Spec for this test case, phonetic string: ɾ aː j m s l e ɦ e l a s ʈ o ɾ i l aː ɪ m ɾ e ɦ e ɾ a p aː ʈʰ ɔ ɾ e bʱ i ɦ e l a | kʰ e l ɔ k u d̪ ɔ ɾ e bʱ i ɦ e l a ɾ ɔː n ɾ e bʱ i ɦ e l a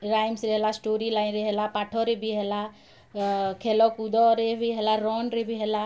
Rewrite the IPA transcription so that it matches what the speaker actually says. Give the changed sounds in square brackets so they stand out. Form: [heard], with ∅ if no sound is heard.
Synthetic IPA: ɾ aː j m s [ɾ] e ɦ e l a s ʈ o ɾ i l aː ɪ [n] ɾ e ɦ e [l] a p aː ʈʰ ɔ ɾ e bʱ i ɦ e l a | kʰ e l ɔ k u d̪ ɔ ɾ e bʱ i ɦ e l a ɾ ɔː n ɾ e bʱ i ɦ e l a